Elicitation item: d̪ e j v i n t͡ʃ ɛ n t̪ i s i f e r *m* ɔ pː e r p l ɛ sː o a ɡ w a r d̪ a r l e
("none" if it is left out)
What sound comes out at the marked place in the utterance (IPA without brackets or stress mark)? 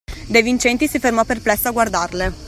m